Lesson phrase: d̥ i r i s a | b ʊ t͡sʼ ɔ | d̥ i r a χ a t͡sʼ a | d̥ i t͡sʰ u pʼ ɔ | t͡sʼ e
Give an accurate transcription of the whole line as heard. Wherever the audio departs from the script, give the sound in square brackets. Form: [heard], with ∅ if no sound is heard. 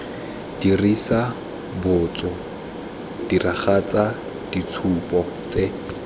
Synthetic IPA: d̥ i r i s a | b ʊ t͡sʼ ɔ | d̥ i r a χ a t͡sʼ a | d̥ i t͡sʰ u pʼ ɔ | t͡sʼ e